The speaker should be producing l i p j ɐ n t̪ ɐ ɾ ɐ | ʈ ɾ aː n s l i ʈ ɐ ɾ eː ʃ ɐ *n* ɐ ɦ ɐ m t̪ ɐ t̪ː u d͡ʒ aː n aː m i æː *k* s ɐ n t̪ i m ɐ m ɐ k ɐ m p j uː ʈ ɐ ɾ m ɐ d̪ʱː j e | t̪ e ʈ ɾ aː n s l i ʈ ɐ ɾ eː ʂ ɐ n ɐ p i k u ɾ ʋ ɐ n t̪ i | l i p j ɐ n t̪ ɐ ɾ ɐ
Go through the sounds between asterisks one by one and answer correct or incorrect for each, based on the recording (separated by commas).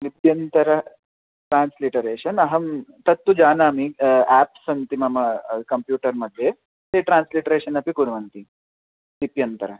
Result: correct, incorrect